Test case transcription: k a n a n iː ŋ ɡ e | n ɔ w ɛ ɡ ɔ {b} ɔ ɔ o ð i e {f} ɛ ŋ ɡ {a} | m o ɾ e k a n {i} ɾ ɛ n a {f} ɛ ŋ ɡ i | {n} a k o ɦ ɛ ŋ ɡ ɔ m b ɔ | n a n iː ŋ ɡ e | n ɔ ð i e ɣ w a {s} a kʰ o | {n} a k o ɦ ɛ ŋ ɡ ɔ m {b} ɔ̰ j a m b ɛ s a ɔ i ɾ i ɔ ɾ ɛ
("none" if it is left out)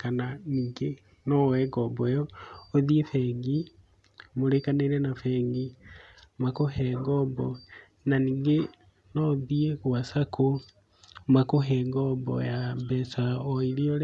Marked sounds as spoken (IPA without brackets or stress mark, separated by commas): b, f, i, e, f, m, s, m, b